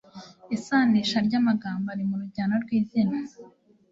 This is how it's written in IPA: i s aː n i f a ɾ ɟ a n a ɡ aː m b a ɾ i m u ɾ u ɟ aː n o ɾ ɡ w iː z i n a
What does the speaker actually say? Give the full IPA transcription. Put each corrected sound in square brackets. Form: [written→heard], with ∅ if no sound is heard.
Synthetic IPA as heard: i s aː n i [f→ʃ] a ɾ ɟ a [n→m] a ɡ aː m b a ɾ i m u ɾ u ɟ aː n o ɾ ɡ w iː z i n a